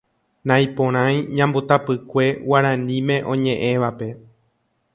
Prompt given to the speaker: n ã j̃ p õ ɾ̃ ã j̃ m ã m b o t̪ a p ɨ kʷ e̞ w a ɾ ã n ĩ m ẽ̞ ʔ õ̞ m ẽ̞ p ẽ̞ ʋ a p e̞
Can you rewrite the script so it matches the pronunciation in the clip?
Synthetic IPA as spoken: n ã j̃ p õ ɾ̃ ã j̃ ɲ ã m b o t̪ a p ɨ kʷ e̞ w a ɾ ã n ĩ m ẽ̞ ʔ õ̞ ɲ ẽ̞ ʔ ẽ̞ ʋ a p e̞